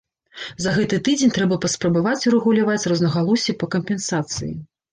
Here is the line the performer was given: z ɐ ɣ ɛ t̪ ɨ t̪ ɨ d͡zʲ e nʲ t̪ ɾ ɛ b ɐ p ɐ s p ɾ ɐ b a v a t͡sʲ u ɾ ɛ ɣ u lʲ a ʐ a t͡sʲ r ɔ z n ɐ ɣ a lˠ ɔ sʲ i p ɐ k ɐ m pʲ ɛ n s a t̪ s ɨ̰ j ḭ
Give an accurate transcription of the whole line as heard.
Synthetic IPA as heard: z ɐ ɣ ɛ t̪ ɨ t̪ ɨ d͡zʲ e nʲ t̪ ɾ ɛ b ɐ p ɐ s p ɾ ɐ b a v a t͡sʲ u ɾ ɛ ɣ u lʲ a v a t͡sʲ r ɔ z n ɐ ɣ a lˠ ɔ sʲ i p ɐ k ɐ m pʲ ɛ n s a t̪ s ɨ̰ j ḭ